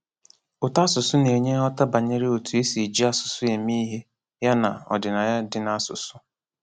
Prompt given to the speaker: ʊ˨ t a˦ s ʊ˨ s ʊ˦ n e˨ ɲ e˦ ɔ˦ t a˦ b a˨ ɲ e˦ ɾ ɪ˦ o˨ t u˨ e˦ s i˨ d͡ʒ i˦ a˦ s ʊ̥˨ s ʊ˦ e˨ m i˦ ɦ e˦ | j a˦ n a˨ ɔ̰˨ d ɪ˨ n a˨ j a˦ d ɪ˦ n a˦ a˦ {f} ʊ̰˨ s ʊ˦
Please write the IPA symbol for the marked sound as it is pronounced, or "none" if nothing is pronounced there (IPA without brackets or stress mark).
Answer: s